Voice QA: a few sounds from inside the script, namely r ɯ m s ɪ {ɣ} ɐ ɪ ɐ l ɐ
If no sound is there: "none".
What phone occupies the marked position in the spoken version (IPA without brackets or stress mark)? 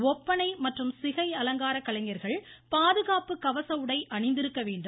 ɣ